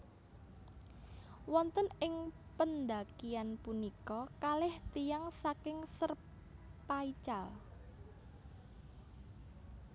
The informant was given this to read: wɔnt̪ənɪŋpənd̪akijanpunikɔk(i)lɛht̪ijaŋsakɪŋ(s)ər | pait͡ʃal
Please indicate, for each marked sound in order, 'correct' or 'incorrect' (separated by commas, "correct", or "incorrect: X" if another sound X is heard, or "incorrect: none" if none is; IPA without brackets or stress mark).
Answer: incorrect: a, correct